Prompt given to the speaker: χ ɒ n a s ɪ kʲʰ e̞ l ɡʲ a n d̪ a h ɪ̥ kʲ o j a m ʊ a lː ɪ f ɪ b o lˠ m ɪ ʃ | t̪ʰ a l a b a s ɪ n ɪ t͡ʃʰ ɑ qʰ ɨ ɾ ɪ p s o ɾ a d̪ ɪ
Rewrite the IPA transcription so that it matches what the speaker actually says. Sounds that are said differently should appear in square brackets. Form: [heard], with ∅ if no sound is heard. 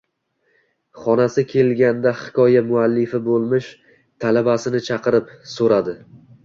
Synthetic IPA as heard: χ ɒ n a s ɪ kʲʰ e̞ l ɡʲ a n d̪ a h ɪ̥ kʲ [ɒ] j a m ʊ a lː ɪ f ɪ b o lˠ m ɪ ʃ | t̪ʰ a l a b a s ɪ n ɪ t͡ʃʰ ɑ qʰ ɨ ɾ ɪ p s o ɾ a d̪ ɪ